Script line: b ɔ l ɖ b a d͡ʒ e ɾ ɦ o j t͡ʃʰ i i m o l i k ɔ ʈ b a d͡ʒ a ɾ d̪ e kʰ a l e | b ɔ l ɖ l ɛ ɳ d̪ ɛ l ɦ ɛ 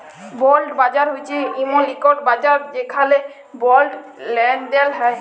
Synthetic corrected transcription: b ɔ l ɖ b a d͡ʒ a ɾ ɦ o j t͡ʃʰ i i m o l i k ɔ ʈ b a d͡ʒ a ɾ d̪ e kʰ a l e | b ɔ l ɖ l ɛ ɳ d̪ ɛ l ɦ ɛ